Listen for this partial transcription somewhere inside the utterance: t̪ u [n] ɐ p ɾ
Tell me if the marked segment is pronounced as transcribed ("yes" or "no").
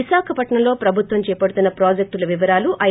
no